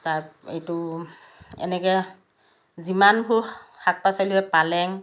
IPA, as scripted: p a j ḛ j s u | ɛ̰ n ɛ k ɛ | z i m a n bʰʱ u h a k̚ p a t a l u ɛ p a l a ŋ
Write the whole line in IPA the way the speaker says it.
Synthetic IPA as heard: t a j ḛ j t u | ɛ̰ n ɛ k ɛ | z i m a n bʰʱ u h a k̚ p a s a l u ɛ p a l ɛ ŋ